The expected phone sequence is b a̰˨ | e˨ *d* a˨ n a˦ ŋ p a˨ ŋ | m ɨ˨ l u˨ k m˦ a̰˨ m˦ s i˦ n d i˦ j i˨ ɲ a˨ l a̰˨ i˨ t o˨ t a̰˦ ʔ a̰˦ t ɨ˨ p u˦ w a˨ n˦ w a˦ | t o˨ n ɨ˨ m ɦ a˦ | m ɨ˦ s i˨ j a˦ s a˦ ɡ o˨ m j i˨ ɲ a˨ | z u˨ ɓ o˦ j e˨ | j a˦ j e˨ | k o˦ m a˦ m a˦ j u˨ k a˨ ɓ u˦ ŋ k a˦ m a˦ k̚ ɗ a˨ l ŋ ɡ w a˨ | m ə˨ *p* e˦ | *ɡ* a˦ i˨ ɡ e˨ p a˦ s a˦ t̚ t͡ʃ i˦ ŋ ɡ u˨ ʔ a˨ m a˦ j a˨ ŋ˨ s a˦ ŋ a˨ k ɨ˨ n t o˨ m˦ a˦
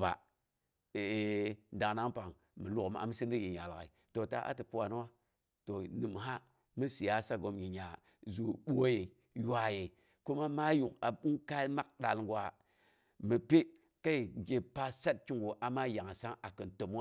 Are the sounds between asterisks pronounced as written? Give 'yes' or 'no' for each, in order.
yes, yes, no

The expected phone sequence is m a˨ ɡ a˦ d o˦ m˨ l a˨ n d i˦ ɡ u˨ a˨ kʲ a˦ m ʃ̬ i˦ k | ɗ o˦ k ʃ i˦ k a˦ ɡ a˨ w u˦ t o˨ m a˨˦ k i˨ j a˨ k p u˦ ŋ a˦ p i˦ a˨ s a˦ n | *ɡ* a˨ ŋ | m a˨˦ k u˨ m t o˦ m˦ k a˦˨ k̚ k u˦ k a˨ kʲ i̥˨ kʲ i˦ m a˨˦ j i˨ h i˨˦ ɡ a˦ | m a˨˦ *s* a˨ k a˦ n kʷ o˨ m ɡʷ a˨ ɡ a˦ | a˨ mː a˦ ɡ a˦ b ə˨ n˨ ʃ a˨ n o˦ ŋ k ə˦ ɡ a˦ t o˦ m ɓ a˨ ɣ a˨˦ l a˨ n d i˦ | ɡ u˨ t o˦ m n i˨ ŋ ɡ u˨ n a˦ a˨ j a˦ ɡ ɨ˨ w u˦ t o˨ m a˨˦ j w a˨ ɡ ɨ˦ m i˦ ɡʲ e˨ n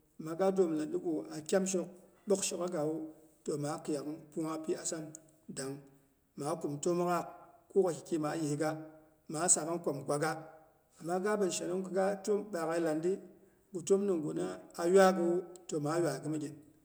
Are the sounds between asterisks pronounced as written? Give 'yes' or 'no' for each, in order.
no, yes

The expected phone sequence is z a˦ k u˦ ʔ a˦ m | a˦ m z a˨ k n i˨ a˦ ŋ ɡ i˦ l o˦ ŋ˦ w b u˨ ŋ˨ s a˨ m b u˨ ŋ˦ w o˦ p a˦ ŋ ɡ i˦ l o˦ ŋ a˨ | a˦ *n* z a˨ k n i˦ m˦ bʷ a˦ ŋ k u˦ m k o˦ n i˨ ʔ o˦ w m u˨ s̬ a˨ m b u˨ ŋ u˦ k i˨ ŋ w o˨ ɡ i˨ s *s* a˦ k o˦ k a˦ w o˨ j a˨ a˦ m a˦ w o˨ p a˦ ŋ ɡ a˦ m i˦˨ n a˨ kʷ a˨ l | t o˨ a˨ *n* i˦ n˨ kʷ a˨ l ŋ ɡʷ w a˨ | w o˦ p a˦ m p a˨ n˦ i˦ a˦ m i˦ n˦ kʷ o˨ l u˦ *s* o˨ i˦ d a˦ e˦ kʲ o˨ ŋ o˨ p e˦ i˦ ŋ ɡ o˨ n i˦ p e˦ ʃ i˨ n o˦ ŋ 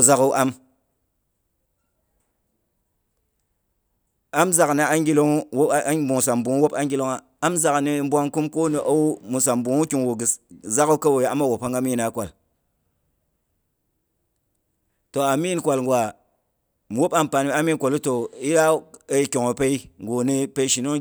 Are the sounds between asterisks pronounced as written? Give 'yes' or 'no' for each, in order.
no, no, no, no

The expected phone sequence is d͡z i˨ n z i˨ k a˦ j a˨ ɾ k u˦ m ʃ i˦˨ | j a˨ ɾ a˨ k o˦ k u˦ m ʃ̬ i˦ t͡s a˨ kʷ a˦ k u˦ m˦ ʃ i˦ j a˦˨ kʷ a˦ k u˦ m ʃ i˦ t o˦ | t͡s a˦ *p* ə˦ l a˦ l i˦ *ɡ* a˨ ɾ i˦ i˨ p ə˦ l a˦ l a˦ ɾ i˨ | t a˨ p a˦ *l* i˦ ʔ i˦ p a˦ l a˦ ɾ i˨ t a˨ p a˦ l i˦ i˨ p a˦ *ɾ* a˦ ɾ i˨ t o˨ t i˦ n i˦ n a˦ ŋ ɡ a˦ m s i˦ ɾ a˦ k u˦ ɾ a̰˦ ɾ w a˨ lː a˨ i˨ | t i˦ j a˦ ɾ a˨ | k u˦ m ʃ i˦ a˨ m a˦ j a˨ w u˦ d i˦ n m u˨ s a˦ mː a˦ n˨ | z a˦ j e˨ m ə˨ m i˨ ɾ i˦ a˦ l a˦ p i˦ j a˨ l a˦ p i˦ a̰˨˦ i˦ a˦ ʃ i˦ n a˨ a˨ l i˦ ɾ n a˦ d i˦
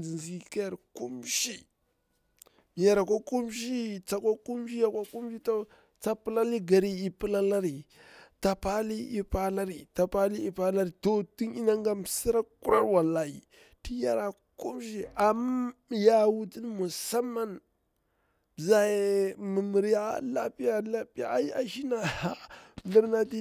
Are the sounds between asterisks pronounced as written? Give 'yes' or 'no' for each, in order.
yes, yes, yes, no

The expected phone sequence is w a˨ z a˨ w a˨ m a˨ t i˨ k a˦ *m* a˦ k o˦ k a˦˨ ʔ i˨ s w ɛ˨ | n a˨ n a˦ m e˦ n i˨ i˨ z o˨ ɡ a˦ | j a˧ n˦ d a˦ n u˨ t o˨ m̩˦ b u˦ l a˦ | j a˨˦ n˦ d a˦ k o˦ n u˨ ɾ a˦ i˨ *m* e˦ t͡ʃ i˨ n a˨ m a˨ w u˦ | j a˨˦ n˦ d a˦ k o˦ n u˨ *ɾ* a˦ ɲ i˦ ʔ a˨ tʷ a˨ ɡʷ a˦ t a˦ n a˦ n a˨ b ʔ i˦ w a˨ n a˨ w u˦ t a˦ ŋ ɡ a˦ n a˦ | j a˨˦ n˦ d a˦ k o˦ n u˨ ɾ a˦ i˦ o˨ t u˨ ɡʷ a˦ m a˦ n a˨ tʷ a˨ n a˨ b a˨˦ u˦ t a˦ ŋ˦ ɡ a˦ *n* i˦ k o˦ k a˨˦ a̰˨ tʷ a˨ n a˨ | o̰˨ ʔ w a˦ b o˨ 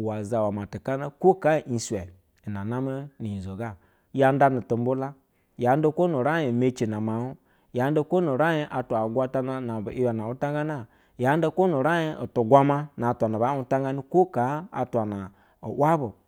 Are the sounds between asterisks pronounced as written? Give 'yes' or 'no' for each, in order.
no, yes, yes, yes

